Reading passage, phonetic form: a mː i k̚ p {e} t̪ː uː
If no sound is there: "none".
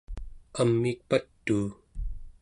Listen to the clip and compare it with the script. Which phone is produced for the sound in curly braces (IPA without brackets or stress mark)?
a